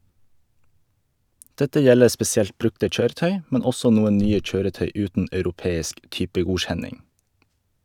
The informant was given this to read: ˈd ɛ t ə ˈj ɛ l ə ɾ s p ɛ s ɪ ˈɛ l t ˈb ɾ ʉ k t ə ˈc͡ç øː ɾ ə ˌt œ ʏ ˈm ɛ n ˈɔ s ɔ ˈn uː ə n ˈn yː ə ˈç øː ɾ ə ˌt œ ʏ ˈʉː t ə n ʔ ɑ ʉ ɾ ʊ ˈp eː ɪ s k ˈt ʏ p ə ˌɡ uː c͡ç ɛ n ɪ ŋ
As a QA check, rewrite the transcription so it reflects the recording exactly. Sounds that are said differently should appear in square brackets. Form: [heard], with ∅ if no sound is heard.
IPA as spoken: ˈd ɛ t ə ˈj ɛ l ə ɾ s p ɛ s ɪ ˈɛ l t ˈb ɾ ʉ k t ə ˈc͡ç øː ɾ ə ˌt œ ʏ ˈm ɛ n ˈɔ s ɔ ˈn uː ə n ˈn yː ə [ˈc͡ç] øː ɾ ə ˌt œ ʏ ˈʉː t ə n ʔ ɑ ʉ ɾ ʊ ˈp eː ɪ s k ˈt ʏ p ə ˌɡ uː c͡ç ɛ n ɪ ŋ